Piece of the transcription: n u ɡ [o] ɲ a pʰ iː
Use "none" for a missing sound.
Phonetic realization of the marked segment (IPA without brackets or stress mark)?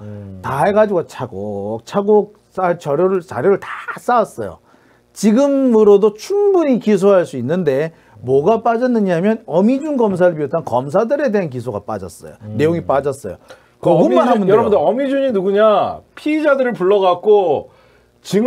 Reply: u